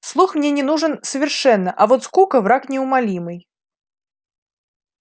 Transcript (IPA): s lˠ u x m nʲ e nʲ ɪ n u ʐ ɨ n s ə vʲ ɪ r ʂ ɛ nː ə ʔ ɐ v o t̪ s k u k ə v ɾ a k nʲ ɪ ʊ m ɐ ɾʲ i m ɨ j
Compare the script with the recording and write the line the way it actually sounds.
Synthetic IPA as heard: s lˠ u x m nʲ e nʲ ɪ n u ʐ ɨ n s ə vʲ ɪ r ʂ ɛ nː ə ʔ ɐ v o t̪ s k u k ə v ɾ a k nʲ ɪ ʊ m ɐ lʲ i m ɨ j